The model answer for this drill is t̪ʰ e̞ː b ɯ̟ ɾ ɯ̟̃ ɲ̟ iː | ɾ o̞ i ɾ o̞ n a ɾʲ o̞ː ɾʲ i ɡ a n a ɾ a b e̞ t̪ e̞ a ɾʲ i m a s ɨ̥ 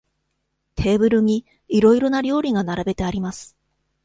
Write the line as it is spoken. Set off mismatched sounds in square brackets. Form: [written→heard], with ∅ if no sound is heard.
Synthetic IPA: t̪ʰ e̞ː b ɯ̟ ɾ [ɯ̟̃→ɯ̟] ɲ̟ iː | ɾ o̞ i ɾ o̞ n a ɾʲ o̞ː ɾʲ i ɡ a n a ɾ a b e̞ t̪ e̞ a ɾʲ i m a s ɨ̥